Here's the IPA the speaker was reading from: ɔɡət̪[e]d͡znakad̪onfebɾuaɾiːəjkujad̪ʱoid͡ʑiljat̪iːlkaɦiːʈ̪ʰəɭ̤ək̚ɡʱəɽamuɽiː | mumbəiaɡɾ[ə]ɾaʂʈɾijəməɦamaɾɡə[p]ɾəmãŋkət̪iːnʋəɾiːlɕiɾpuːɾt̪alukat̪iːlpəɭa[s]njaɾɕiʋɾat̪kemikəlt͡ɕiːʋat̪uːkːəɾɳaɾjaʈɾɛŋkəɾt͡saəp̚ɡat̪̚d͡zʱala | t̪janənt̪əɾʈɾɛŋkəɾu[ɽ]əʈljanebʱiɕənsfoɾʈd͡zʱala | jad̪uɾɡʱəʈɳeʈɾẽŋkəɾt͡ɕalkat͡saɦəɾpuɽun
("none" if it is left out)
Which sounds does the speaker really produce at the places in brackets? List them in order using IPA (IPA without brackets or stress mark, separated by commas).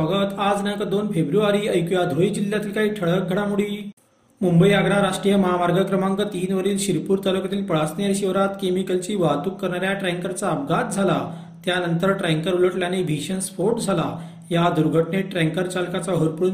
a, a, k, s, l